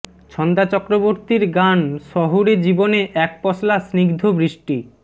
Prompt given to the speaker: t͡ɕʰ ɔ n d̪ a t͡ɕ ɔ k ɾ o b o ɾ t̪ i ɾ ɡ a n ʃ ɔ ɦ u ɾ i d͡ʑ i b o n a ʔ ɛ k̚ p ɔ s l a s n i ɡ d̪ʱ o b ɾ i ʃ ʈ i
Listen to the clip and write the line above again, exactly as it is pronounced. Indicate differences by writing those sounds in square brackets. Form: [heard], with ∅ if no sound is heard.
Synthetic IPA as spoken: t͡ɕʰ ɔ n d̪ a t͡ɕ ɔ k ɾ o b o ɾ t̪ i ɾ ɡ a n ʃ ɔ ɦ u ɾ [e] d͡ʑ i b o n [e] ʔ ɛ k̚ p ɔ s l a s n i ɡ d̪ʱ o b ɾ i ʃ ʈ i